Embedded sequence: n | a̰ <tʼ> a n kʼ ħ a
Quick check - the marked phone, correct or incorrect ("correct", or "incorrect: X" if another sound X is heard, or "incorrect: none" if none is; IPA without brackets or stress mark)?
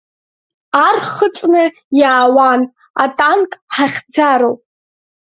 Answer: correct